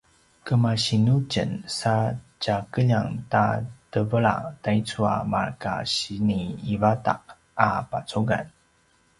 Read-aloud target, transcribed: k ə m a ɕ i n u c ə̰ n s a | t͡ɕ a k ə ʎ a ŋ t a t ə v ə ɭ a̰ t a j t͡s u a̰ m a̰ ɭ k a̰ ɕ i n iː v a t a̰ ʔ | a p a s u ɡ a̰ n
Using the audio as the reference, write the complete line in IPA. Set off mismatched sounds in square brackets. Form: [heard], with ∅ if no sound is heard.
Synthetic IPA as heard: k ə m a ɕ i n u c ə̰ n s a | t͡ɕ a k ə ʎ a ŋ t a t ə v ə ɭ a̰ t a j t͡s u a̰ m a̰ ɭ k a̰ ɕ i n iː v a t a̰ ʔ | a p a [t͡s] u ɡ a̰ n